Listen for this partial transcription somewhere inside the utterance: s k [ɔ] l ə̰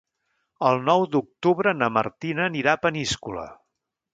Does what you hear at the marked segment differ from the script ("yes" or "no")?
yes